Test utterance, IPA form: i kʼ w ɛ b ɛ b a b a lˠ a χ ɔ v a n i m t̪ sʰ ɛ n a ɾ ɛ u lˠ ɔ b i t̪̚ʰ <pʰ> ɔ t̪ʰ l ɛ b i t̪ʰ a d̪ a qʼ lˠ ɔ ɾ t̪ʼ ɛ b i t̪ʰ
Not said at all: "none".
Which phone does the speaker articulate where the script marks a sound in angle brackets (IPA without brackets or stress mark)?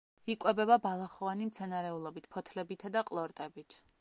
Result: pʰ